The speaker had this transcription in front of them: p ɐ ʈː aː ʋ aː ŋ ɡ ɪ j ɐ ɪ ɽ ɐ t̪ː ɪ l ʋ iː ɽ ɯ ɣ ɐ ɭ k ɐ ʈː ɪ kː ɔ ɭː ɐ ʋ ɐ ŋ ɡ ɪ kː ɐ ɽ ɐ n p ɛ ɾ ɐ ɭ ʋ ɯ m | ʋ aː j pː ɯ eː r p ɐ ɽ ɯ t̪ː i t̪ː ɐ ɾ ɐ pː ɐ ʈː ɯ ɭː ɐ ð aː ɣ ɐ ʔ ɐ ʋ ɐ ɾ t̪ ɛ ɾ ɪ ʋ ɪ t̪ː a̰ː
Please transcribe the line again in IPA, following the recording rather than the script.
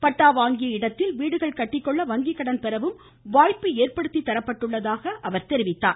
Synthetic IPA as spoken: p ɐ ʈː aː ʋ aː ŋ ɡ ɪ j ɐ ɪ ɽ ɐ t̪ː ɪ l ʋ iː ɽ ɯ ɣ ɐ ɭ k ɐ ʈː ɪ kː ɔ ɭː ɐ ʋ ɐ ŋ ɡ ɪ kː ɐ ɽ ɐ n p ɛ ɾ ɐ ʋ ɯ m | ʋ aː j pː ɯ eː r p ɐ ɽ ɯ t̪ː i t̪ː ɐ ɾ ɐ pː ɐ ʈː ɯ ɭː ɐ ð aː ɣ ɐ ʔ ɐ ʋ ɐ ɾ t̪ ɛ ɾ ɪ ʋ ɪ t̪ː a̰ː

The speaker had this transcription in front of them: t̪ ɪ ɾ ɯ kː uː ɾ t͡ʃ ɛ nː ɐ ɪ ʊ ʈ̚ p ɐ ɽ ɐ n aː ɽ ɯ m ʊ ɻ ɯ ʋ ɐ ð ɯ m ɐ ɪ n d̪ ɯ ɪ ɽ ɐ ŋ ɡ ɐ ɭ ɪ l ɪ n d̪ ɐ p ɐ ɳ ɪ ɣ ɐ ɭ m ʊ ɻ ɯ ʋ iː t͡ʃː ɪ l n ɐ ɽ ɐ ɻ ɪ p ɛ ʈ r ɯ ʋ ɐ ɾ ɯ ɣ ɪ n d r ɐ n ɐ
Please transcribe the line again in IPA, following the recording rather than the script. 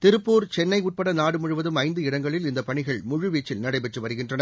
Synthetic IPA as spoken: t̪ ɪ ɾ ɯ pː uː ɾ t͡ʃ ɛ nː ɐ ɪ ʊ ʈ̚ p ɐ ɽ ɐ n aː ɽ ɯ m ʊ ɻ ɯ ʋ ɐ ð ɯ m ɐ ɪ n d̪ ɯ ɪ ɽ ɐ ŋ ɡ ɐ ɭ ɪ l ɪ n d̪ ɐ p ɐ ɳ ɪ ɣ ɐ ɭ m ʊ ɻ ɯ ʋ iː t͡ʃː ɪ l n ɐ ɽ ɐ ɪ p ɛ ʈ r ɯ ʋ ɐ ɾ ɯ ɣ ɪ n d r ɐ n ɐ

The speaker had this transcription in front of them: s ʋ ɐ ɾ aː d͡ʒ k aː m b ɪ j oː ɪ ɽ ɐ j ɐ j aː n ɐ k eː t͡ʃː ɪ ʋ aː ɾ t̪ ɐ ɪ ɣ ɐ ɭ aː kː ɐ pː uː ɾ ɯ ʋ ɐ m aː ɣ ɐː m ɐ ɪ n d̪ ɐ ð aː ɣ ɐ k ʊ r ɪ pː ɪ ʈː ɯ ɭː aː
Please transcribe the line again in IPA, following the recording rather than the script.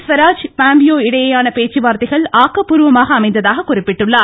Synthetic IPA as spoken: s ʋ ɐ ɾ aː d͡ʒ p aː m b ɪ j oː ɪ ɽ ɐ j ɐ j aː n ɐ p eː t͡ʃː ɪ ʋ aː ɾ t̪ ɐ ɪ ɣ ɐ ɭ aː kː ɐ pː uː ɾ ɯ ʋ ɐ m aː ɣ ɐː m ɐ ɪ n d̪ ɐ ð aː ɣ ɐ k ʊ r ɪ pː ɪ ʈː ɯ ɭː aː

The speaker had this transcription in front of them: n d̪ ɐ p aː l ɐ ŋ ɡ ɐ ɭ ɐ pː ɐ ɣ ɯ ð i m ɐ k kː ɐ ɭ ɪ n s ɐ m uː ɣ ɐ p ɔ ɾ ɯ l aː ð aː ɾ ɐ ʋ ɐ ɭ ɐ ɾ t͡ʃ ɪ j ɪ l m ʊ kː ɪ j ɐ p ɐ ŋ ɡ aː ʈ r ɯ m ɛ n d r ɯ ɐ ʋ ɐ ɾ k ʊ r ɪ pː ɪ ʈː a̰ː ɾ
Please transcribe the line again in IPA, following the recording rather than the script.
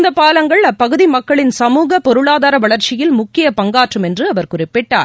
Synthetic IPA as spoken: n d̪ ɐ p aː l ɐ ŋ ɡ ɐ ɭ ɐ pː ɐ ɣ ɯ ð i m ɐ k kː ɐ ɭ ɪ n s ɐ m uː ɣ ɐ p ɔ ɾ ɯ ɭ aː ð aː ɾ ɐ ʋ ɐ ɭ ɐ ɾ t͡ʃ ɪ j ɪ l m ʊ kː ɪ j ɐ p ɐ ŋ ɡ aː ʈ r ɯ m ɛ n d r ɯ ɐ ʋ ɐ ɾ k ʊ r ɪ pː ɪ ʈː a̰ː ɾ

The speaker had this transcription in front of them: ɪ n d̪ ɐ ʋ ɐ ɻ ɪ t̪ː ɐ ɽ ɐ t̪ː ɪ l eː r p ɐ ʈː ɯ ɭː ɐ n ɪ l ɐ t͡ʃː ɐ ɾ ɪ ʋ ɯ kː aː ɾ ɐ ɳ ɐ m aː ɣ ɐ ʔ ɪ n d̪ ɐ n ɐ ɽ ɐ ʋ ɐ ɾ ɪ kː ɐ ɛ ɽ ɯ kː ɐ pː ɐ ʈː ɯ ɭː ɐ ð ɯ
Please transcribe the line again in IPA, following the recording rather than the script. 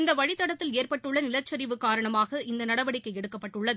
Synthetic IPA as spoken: ɪ n d̪ ɐ ʋ ɐ ɻ ɪ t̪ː ɐ ɽ ɐ t̪ː ɪ l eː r p ɐ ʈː ɯ ɭː ɐ n ɪ l ɐ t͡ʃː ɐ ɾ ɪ ʋ ɯ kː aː ɾ ɐ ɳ ɐ m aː ɣ ɐ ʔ ɪ n d̪ ɐ n ɐ ɽ ɐ ʋ ɐ ɽ ɪ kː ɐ ɛ ɽ ɯ kː ɐ pː ɐ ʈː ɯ ɭː ɐ ð ɯ

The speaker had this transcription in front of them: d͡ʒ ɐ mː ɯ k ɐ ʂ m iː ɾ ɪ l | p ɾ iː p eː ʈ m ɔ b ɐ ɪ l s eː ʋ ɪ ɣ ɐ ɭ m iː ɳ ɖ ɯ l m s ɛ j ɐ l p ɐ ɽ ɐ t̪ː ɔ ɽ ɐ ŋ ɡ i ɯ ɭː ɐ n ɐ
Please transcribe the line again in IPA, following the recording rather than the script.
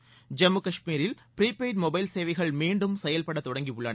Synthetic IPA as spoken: d͡ʒ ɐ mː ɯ k ɐ ʂ m iː ɾ ɪ l | p ɾ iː p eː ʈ m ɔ b ɐ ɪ l s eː ʋ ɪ ɣ ɐ ɭ m iː ɳ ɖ ɯ m s ɛ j ɐ l p ɐ ɽ ɐ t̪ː ɔ ɽ ɐ ŋ ɡ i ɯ ɭː ɐ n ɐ

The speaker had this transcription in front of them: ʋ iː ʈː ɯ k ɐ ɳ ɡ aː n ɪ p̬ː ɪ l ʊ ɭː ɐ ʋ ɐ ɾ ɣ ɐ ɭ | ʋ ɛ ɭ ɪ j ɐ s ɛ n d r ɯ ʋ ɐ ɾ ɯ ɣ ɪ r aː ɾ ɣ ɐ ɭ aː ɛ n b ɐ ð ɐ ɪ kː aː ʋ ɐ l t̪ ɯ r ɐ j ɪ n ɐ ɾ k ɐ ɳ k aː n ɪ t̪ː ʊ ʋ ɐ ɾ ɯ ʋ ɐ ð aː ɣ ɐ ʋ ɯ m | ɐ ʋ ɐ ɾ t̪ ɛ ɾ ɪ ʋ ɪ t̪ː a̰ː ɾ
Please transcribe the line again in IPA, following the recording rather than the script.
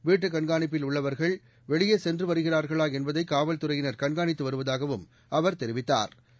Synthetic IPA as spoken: ʋ iː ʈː ɯ k ɐ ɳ ɡ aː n ɪ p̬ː ɪ l ʊ ɭː ɐ ʋ ɐ ɾ ɣ ɐ ɭ | ʋ ɛ ɭ ɪ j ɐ s ɛ n d r ɯ ʋ ɐ ɾ ɯ ɣ ɪ r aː ɾ ɣ ɐ ɭ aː ɛ n b ɐ ð ɐ ɪ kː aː ʋ ɐ l t̪ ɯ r ɐ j ɪ n ɐ ɾ k ɐ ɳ ɡ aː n ɪ t̪ː ɯ ʋ ɐ ɾ ɯ ʋ ɐ ð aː ɣ ɐ ʋ ɯ m | ɐ ʋ ɐ ɾ t̪ ɛ ɾ ɪ ʋ ɪ t̪ː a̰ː ɾ

